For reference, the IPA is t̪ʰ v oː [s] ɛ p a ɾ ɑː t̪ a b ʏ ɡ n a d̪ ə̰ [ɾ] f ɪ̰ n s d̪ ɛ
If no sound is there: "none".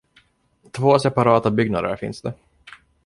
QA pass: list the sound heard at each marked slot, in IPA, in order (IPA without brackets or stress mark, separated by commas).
s, ɾ